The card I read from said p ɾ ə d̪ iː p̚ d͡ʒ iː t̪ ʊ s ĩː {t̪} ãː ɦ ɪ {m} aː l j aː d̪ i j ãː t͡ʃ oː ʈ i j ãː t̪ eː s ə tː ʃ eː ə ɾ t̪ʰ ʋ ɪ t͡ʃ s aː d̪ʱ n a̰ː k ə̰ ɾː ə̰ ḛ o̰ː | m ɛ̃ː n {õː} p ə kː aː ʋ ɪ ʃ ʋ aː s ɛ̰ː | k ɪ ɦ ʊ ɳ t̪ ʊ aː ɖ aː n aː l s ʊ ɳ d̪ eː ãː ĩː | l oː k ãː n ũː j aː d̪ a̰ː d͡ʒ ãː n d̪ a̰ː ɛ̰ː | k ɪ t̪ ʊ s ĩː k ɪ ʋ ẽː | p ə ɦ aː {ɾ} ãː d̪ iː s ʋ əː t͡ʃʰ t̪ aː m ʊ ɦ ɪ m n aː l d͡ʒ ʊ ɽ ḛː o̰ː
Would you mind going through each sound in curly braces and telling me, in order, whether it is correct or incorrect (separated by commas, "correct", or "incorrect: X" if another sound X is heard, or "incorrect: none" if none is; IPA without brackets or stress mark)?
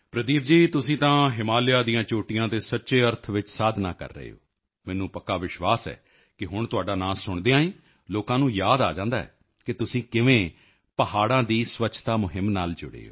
correct, correct, incorrect: ũː, incorrect: ɽ